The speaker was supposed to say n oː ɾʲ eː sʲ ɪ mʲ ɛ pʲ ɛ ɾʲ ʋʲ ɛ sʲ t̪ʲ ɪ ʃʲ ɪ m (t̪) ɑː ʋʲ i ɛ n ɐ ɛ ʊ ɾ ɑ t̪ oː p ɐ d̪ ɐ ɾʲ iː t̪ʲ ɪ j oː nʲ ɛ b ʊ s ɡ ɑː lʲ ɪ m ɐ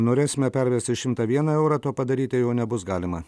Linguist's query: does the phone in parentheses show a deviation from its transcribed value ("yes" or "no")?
no